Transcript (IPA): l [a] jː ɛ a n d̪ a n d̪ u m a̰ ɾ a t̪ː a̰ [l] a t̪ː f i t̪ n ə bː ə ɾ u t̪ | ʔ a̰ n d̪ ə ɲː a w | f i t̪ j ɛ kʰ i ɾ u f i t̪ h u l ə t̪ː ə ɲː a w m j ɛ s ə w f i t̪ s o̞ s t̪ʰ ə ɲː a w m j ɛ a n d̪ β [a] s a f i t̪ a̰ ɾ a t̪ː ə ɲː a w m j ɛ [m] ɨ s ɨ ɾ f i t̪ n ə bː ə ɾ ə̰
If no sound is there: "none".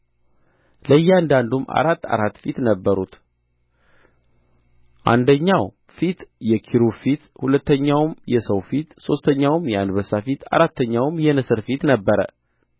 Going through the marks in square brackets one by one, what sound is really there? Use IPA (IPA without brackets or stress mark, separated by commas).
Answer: ə, ɾ, ə, n